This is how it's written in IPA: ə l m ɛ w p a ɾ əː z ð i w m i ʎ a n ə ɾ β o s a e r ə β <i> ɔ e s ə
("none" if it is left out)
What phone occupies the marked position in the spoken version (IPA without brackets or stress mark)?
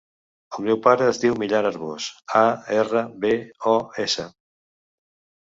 e